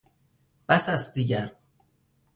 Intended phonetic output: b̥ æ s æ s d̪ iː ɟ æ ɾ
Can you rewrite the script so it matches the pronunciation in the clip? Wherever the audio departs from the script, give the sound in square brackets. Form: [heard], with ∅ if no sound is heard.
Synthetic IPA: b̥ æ s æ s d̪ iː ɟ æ ɾ